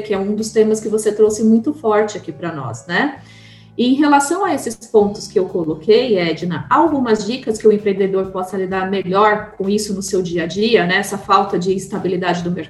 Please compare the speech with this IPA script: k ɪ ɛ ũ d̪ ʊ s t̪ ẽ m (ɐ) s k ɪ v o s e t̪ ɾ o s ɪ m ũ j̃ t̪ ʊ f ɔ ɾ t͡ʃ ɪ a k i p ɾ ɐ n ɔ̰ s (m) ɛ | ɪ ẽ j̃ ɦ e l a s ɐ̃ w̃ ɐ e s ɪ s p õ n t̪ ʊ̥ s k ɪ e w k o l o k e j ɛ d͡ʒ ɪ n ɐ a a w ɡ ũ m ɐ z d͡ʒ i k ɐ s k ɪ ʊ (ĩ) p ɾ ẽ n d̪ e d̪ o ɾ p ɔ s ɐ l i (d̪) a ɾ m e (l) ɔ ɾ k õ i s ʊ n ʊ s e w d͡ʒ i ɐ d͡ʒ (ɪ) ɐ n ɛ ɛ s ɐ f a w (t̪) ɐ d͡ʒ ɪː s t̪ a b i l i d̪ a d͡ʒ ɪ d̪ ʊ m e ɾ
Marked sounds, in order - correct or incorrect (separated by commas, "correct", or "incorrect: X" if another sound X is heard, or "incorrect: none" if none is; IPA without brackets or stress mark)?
correct, incorrect: n, incorrect: ẽ, correct, incorrect: ʎ, incorrect: i, correct